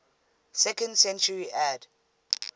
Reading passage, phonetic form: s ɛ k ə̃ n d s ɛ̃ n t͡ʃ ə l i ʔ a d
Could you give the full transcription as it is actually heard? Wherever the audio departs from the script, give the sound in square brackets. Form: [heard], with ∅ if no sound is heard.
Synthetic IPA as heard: s ɛ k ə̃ n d s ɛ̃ n t͡ʃ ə [ɹ] i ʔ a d